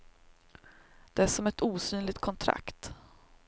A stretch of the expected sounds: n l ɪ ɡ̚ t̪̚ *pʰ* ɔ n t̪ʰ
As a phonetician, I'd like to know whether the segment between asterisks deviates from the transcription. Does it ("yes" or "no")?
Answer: yes